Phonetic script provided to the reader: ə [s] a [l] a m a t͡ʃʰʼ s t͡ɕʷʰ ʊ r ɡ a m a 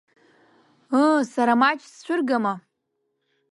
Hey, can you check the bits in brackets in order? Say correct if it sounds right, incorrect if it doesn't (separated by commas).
correct, incorrect